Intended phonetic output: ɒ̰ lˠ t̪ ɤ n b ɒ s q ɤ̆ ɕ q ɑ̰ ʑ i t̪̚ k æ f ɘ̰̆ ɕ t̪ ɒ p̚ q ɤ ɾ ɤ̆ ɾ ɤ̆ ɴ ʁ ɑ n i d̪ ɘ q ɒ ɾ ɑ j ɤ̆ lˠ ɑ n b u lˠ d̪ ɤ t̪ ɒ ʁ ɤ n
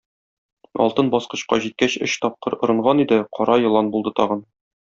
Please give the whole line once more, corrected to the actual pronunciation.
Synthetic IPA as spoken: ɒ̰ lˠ t̪ ɤ n b ɒ s q ɤ̆ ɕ q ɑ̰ ʑ i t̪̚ k æ ɕ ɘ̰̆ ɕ t̪ ɒ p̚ q ɤ ɾ ŏ ɾ ɤ̆ ɴ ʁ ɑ n i d̪ ɘ q ɒ ɾ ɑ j ɤ̆ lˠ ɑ n b u lˠ d̪ ɤ t̪ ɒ ʁ ɤ n